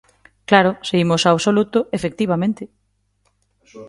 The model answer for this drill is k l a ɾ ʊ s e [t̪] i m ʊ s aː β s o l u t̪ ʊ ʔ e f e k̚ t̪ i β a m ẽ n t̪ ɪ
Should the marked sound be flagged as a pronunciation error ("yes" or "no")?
yes